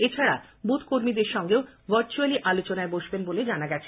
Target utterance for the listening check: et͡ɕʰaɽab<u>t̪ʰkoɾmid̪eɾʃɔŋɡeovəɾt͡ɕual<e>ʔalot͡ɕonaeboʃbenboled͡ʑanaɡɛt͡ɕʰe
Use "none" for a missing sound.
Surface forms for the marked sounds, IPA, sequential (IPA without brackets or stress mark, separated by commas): u, i